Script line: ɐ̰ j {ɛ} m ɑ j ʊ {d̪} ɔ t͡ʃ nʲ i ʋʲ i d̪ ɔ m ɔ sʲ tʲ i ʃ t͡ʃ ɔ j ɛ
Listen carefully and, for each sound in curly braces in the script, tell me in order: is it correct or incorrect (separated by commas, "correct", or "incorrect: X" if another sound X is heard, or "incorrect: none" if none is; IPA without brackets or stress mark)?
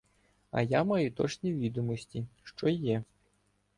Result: incorrect: a, incorrect: t̪